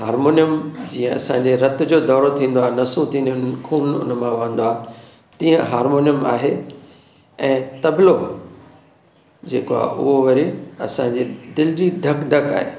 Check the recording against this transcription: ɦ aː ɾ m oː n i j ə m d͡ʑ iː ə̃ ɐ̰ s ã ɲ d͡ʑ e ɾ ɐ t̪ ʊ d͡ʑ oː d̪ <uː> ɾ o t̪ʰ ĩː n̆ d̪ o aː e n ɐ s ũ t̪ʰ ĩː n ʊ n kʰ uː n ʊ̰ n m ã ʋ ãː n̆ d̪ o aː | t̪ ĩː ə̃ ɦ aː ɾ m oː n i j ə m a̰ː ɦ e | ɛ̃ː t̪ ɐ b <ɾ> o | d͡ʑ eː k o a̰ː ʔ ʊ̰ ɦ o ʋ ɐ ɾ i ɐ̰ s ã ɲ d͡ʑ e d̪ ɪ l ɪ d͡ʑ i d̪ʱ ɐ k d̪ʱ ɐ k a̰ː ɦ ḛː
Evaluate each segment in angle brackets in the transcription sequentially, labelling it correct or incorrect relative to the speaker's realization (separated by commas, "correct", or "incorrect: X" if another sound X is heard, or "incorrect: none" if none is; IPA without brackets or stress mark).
incorrect: ɔː, incorrect: l